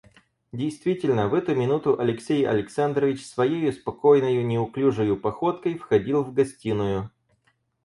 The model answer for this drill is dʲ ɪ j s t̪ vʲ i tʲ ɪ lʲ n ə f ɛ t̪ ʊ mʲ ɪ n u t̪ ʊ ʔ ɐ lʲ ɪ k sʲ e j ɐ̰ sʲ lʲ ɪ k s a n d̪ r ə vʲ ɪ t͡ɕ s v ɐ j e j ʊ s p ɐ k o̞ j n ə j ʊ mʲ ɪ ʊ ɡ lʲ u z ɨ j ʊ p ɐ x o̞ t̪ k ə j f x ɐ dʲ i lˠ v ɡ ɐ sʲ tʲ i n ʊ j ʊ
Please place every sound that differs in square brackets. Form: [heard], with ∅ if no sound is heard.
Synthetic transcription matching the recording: dʲ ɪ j s t̪ vʲ i tʲ ɪ lʲ n ə [v] ɛ t̪ ʊ mʲ ɪ n u t̪ ʊ ʔ ɐ lʲ ɪ k sʲ e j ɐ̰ [∅] lʲ ɪ k s a n d̪ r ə vʲ ɪ t͡ɕ s v ɐ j e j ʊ s p ɐ k o̞ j n ə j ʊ [nʲ] ɪ ʊ [k] lʲ u [ʐ] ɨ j ʊ p ɐ x o̞ t̪ k ə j f x ɐ dʲ i lˠ v ɡ ɐ sʲ tʲ i n ʊ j ʊ